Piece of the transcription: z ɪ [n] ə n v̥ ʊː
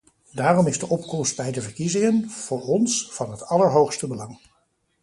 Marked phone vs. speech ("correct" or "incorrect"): incorrect